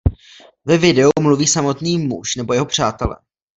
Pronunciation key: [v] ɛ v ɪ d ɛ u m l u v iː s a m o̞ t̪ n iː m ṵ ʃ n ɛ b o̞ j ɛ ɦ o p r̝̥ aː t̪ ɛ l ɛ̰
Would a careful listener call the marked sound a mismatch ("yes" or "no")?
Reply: no